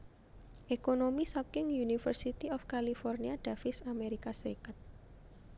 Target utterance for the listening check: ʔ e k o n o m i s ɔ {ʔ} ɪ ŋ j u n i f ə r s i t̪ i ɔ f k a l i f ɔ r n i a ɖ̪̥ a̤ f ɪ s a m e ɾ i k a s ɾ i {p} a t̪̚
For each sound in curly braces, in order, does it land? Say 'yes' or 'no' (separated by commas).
no, no